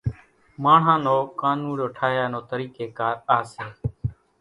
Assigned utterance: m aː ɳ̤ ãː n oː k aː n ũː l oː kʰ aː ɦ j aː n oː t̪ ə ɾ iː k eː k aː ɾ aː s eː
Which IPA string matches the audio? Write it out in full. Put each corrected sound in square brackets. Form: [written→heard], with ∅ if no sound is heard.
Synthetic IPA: m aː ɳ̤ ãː n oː k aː n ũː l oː [kʰ→ʈʰ] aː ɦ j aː n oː t̪ ə ɾ iː k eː k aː ɾ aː s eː